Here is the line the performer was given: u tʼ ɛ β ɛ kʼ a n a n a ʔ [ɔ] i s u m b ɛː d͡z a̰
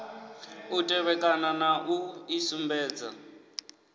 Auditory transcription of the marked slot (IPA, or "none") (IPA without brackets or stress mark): u